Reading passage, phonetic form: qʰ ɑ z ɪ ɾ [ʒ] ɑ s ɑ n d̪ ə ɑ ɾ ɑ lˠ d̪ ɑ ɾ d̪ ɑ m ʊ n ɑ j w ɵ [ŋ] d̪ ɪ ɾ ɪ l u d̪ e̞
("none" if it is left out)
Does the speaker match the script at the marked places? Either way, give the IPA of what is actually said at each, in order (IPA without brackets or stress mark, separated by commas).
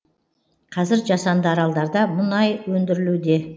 ʒ, n